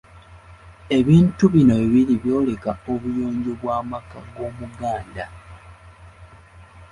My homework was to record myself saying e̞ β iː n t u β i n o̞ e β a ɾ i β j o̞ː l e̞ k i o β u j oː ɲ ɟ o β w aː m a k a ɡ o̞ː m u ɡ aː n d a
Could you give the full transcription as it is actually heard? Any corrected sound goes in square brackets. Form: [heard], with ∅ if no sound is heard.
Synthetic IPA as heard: e̞ β iː n t u β i n o̞ e β [i] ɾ i β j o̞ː l e̞ k [a] o β u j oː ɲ ɟ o β w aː m a k a ɡ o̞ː m u ɡ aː n d a